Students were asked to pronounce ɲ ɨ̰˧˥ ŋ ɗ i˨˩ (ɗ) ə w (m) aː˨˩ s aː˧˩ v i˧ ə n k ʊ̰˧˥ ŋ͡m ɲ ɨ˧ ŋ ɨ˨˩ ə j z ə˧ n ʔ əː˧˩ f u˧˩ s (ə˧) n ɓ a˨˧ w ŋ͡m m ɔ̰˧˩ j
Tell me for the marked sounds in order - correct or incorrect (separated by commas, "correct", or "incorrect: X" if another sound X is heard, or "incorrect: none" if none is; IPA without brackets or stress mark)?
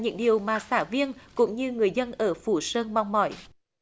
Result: incorrect: none, correct, incorrect: əː˧